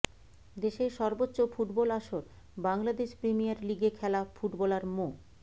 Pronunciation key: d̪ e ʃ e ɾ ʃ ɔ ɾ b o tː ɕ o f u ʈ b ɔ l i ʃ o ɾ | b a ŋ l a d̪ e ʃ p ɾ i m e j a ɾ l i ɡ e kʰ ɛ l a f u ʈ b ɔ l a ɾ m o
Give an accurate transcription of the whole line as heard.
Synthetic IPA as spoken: d̪ e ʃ e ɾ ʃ ɔ ɾ b o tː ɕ o f u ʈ b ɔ l a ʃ o ɾ | b a ŋ l a d̪ e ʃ p ɾ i m i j a ɾ l i ɡ e kʰ ɛ l a f u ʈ b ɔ l a ɾ m o

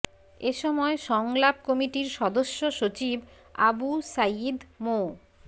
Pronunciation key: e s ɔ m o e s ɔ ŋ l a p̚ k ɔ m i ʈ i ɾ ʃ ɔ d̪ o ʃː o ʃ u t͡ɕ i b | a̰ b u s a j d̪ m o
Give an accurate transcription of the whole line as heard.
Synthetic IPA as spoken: e ʃ ɔ m ɔ e ʃ ɔ ŋ l a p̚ k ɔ m i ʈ i ɾ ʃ ɔ d̪ o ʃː o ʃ o t͡ɕ i b | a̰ b u s a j d̪ m o

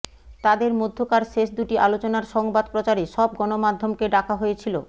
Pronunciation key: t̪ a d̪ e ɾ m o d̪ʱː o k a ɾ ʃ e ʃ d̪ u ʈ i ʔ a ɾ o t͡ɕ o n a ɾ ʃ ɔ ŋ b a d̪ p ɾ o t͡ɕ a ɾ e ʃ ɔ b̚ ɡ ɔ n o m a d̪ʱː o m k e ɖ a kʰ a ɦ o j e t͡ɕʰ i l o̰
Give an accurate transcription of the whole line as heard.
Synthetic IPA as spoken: t̪ a d̪ e ɾ m o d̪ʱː o k a ɾ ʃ e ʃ d̪ u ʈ i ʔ a l o t͡ɕ o n a ɾ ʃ ɔ ŋ b a d̪ p ɾ o t͡ɕ a ɾ e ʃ ɔ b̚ ɡ ɔ n o m a d̪ʱː o m k e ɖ a kʰ a ɦ o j e t͡ɕʰ i l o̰

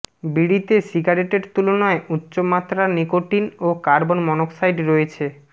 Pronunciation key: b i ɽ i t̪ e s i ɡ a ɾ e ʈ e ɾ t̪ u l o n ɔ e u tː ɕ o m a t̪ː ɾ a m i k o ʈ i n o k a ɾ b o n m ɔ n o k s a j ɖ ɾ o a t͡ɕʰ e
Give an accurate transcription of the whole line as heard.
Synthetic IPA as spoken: b i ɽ i t̪ e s i ɡ a ɾ e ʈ e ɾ t̪ u l o n ɔ e u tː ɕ o m a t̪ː ɾ a n i k o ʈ i n o k a ɾ b o n m ɔ n o k s a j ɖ ɾ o e t͡ɕʰ e

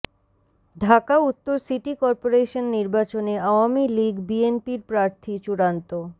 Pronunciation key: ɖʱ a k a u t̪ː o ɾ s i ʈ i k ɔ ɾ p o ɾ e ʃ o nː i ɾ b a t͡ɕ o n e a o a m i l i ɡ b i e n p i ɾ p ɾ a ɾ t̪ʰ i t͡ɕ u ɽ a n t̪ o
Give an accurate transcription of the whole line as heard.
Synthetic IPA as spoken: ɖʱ a k a u t̪ː o ɾ s i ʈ i k ɔ ɾ p o ɾ e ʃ o nː i ɾ b a t͡ɕ o n e a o a m i l i ɡ b i e n p i ɾ p ɾ a ɾ t̪ʰ i t͡ɕ u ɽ a n t̪ o

